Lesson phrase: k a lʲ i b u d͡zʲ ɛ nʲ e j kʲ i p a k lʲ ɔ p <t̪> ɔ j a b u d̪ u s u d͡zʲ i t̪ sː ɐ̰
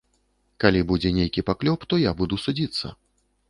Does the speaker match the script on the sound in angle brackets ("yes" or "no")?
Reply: yes